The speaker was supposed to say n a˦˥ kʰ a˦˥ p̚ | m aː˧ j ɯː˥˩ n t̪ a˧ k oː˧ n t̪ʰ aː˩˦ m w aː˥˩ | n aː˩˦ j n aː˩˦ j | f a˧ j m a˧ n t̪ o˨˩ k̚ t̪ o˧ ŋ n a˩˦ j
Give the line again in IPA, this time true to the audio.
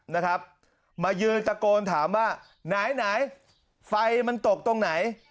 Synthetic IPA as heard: n a˦˥ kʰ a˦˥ p̚ | m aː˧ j ɯː˧ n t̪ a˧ k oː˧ n t̪ʰ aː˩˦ m w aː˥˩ | n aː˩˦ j n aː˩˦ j | f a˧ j m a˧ n t̪ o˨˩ k̚ t̪ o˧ ŋ n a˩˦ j